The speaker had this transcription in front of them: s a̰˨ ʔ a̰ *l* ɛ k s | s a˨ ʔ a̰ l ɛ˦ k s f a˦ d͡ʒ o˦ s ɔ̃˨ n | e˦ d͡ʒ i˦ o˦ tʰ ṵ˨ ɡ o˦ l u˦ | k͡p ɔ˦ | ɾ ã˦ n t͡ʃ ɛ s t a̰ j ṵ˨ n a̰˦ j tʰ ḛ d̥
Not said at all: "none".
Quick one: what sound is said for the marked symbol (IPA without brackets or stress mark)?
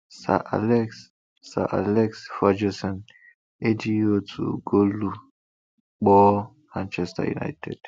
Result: l